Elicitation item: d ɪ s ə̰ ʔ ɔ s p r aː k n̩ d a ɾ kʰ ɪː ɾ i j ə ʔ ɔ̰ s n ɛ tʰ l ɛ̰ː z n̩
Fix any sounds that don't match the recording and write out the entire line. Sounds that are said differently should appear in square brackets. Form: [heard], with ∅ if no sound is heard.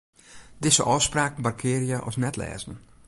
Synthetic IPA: d ɪ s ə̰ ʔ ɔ s p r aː k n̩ [b] a [r] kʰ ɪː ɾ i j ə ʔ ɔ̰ s n ɛ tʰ l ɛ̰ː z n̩